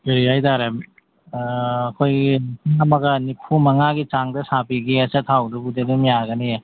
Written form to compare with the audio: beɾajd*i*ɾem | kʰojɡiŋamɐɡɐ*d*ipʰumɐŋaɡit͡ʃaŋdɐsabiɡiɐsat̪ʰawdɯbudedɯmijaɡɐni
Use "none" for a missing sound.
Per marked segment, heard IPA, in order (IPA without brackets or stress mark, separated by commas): a, n